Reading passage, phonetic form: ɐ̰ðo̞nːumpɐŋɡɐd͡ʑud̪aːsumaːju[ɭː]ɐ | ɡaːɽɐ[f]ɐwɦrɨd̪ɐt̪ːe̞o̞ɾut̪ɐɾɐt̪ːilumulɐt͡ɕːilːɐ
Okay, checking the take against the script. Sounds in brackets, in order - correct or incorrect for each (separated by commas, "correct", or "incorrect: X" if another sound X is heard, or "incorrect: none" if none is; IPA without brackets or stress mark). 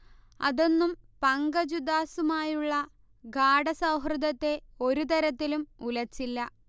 correct, incorrect: s